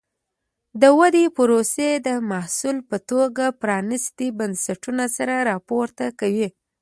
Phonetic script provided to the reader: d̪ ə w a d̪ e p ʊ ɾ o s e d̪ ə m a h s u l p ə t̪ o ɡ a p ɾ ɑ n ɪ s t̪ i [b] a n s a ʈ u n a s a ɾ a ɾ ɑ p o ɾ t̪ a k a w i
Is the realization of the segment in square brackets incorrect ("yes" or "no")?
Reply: no